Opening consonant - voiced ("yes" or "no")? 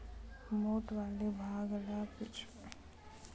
yes